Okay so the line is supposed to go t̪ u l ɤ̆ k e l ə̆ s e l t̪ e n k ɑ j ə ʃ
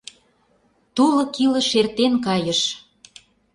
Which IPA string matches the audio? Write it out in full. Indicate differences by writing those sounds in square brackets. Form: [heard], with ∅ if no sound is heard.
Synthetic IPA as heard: t̪ u l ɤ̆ k [i] l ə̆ [ʃ] e [r] t̪ e n k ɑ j ə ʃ